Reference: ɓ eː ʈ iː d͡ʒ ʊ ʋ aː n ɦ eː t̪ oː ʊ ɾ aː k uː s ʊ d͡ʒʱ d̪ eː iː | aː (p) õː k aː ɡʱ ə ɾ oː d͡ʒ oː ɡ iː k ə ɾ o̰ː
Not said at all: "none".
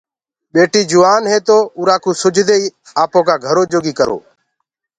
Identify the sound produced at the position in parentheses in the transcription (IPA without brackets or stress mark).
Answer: p